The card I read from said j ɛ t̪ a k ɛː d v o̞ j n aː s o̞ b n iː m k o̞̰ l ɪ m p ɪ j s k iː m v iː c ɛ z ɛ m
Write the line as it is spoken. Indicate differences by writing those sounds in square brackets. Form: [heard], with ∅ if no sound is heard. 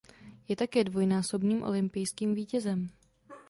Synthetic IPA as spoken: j ɛ t̪ a k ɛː d v o̞ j n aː s o̞ b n iː m [ʔ] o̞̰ l ɪ m p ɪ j s k iː m v iː c ɛ z ɛ m